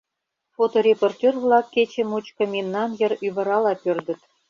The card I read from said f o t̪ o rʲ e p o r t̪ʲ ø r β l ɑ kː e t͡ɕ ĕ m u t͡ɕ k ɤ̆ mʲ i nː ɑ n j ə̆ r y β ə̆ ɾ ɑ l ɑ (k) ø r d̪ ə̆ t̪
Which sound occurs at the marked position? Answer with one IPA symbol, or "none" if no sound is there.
p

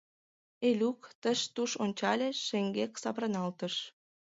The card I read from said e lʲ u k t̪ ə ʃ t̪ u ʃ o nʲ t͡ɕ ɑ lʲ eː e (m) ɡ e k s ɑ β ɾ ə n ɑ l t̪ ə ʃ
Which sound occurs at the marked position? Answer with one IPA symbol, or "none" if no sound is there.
ŋ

